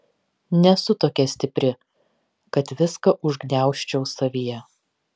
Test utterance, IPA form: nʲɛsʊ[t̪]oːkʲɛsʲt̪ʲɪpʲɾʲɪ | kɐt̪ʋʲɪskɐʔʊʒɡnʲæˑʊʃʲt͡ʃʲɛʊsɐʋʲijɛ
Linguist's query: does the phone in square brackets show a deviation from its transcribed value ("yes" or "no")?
no